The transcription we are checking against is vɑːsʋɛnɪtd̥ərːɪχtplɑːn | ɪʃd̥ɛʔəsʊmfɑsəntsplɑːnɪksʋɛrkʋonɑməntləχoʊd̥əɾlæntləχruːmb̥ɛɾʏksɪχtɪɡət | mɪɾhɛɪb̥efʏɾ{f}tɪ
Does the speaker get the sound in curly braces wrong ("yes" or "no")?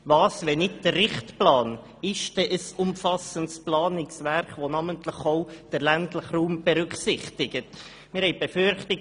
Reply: yes